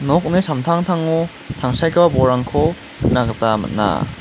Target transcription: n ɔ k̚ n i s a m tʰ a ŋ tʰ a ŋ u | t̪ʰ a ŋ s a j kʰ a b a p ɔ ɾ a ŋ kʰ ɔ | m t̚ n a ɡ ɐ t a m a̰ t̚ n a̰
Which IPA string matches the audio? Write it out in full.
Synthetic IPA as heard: n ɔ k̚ n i s a m tʰ a ŋ tʰ a ŋ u | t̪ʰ a ŋ s a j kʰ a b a b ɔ ɾ a ŋ kʰ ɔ | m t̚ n a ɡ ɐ t a m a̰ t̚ n a̰